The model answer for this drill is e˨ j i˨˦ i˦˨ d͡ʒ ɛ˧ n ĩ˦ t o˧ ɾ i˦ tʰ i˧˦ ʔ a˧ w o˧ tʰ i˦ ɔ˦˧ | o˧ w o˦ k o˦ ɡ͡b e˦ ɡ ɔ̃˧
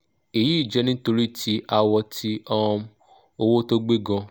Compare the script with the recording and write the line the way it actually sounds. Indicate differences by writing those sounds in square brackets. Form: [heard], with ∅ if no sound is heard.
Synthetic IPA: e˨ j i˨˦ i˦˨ d͡ʒ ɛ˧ n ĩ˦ t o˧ ɾ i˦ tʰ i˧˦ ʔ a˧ w [ɔ˧] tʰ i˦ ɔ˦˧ | o˧ w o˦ [t] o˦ ɡ͡b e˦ ɡ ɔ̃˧